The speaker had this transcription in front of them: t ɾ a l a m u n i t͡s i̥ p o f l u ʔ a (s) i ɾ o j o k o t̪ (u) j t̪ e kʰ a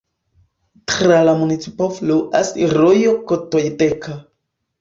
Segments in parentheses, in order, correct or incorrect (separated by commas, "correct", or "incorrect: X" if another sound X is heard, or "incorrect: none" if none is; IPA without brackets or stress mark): correct, incorrect: o